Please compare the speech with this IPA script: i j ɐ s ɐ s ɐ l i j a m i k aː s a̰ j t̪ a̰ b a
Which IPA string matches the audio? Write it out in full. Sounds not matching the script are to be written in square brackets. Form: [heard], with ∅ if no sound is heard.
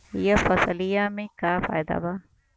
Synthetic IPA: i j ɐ [f] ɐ s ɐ l i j a m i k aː [f] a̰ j [d̪] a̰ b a